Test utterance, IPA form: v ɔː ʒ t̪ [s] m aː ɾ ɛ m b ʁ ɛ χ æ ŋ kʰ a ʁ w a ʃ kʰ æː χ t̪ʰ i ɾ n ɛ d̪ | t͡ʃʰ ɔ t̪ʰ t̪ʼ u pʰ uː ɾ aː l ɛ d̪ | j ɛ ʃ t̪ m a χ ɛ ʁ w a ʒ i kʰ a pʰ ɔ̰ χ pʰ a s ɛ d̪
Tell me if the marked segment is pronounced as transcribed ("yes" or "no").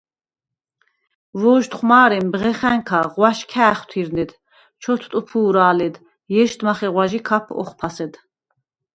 no